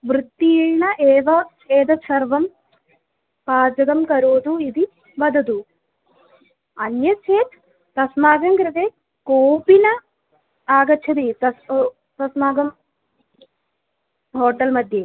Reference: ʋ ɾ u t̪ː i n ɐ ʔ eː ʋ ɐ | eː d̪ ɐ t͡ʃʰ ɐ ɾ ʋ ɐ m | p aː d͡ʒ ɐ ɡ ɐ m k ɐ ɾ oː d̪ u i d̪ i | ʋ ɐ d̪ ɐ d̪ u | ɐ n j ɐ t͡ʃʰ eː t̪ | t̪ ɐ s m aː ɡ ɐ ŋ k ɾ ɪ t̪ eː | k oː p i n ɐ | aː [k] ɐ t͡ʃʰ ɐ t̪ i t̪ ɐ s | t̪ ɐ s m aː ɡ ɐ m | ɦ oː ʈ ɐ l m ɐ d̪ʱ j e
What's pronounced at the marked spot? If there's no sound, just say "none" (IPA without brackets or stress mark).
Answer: ɡ